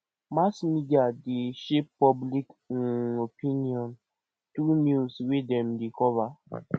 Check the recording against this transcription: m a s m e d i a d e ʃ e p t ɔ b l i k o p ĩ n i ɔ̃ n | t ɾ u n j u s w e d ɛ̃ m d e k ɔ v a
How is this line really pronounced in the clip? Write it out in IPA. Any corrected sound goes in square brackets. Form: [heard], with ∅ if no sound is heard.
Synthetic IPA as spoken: m a s m [i] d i a d e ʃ e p [p] ɔ b l i k o p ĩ n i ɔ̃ n | t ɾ u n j u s w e d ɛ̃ m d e k ɔ v a